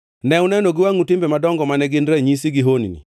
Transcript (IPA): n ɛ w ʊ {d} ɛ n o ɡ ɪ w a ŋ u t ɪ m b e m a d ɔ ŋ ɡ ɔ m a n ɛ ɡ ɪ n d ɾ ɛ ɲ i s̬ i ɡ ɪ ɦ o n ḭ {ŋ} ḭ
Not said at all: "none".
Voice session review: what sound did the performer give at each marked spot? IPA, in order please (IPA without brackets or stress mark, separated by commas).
n, n